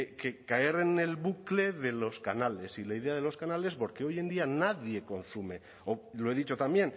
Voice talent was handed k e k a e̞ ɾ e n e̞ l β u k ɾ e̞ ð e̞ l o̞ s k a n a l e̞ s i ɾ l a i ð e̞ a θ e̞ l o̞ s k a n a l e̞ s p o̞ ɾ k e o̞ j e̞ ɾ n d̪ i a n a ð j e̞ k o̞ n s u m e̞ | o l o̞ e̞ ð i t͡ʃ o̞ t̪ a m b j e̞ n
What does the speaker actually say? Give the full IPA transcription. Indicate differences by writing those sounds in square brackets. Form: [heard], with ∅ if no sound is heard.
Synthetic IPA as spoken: k e k a e̞ ɾ e n e̞ l β u k [l] e̞ ð e̞ l o̞ s k a n a l e̞ s i [∅] l a i ð e̞ a [ð] e̞ l o̞ s k a n a l e̞ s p o̞ ɾ k e o̞ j e̞ [∅] n d̪ i a n a ð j e̞ k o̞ n s u m e̞ | o l o̞ e̞ ð i t͡ʃ o̞ t̪ a m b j e̞ n